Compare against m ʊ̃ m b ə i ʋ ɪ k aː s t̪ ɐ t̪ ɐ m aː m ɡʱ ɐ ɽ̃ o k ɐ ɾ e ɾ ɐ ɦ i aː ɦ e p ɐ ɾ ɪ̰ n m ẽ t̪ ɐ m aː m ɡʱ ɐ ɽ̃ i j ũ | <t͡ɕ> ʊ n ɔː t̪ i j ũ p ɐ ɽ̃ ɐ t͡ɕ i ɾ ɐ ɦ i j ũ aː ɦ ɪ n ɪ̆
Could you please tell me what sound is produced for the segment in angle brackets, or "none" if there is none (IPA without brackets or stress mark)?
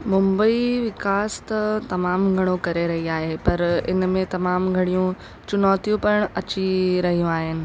t͡ɕ